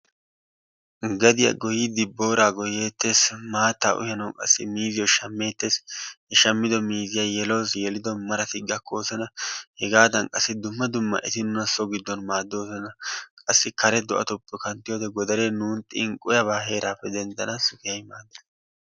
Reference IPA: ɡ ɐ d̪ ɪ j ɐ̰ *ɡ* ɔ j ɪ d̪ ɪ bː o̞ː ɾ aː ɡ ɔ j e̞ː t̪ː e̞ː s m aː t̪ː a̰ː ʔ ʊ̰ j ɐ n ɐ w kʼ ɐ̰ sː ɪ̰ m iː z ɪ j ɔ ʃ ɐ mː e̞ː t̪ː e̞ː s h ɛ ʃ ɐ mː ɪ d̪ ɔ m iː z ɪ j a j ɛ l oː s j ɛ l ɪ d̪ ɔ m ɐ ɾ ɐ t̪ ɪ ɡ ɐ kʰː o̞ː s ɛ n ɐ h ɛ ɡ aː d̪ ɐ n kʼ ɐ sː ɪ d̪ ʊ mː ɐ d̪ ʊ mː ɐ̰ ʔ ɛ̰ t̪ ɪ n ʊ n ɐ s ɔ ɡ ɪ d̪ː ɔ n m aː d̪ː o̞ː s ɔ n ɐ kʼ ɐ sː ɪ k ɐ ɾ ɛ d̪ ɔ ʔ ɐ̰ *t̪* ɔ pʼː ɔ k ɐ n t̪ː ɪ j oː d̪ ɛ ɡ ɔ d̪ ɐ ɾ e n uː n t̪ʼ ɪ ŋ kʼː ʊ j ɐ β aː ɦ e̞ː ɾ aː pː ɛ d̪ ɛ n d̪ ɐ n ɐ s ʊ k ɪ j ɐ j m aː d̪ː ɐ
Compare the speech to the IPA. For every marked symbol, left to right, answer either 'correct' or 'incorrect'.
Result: correct, correct

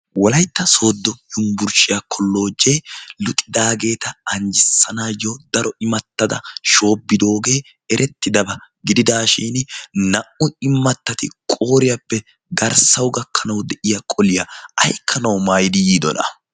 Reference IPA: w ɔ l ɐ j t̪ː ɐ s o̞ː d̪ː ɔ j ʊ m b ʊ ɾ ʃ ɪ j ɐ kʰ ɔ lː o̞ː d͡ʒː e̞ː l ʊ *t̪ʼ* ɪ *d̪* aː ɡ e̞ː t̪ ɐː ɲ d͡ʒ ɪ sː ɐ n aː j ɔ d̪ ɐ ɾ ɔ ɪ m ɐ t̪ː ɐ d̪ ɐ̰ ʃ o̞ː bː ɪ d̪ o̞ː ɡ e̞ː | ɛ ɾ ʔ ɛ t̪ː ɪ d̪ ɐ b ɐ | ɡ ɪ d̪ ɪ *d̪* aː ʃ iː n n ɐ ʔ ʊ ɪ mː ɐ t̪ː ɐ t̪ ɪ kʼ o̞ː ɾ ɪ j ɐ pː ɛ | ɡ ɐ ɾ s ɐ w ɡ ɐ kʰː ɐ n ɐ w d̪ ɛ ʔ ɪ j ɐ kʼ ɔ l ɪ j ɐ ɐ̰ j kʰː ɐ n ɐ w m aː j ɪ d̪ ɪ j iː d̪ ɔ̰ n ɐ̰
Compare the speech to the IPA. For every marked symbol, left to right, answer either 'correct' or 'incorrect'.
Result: correct, correct, correct

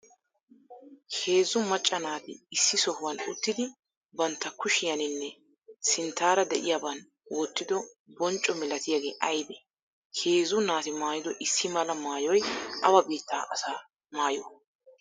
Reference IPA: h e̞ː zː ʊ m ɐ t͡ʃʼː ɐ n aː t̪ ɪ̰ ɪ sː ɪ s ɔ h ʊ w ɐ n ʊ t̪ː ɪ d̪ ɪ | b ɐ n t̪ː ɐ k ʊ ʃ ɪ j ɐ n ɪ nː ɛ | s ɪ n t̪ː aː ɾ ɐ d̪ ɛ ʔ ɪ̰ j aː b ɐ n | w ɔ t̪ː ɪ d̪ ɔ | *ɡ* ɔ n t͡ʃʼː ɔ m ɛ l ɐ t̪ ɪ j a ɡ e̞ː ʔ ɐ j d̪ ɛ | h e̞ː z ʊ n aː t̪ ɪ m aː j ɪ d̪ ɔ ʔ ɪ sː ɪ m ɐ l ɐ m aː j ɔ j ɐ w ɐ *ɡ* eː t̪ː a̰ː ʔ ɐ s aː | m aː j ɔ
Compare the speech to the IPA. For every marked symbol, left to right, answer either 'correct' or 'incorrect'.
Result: incorrect: b, incorrect: b

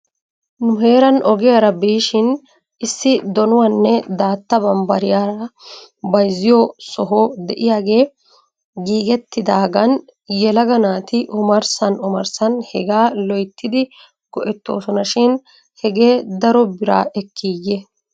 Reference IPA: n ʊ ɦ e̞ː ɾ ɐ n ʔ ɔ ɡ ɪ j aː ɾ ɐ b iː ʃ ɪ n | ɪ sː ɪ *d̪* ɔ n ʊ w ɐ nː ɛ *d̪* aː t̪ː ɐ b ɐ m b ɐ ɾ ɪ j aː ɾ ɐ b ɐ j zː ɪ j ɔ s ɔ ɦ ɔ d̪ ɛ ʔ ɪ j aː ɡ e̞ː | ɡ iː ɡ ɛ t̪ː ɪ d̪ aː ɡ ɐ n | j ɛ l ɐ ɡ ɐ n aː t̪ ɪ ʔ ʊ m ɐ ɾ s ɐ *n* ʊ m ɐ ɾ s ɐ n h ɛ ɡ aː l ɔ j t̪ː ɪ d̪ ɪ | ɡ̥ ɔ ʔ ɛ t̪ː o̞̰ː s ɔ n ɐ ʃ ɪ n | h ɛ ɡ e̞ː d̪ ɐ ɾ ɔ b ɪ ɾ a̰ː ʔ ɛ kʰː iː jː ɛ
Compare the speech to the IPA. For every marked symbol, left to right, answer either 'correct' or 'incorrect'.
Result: correct, correct, correct

